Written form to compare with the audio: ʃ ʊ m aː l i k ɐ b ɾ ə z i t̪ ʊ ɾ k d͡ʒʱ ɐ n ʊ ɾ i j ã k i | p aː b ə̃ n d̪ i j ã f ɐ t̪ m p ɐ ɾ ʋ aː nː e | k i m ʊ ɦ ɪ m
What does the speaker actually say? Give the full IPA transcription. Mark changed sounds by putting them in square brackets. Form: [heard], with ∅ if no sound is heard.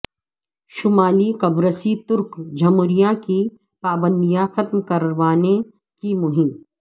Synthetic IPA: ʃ ʊ m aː l i k ɐ b ɾ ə [s] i t̪ ʊ ɾ k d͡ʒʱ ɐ [m] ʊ ɾ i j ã k i | p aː b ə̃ n d̪ i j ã [x] ɐ t̪ m [k] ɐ ɾ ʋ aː [n] e | k i m ʊ ɦ ɪ m